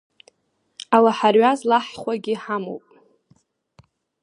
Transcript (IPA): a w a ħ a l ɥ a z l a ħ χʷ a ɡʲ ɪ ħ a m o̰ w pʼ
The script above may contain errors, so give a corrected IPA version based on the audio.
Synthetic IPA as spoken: a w a ħ a r ɥ a z l a ħ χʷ a ɡʲ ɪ ħ a m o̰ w pʼ